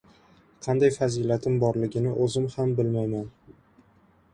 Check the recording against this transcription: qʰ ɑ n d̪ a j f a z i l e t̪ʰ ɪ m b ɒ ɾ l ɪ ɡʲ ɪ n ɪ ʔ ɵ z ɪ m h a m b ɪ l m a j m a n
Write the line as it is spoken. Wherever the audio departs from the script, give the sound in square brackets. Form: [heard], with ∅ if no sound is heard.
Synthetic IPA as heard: qʰ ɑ n d̪ a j f a z i l [a] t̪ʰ ɪ m b ɒ ɾ l ɪ ɡʲ ɪ n ɪ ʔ ɵ z ɪ m h a m b ɪ l m a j m a n